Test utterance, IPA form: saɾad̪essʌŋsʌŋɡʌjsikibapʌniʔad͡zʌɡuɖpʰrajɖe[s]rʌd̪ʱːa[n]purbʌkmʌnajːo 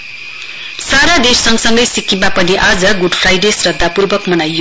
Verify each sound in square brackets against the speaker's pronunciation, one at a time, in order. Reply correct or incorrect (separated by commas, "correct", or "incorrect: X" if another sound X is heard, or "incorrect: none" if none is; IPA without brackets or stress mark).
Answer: correct, incorrect: none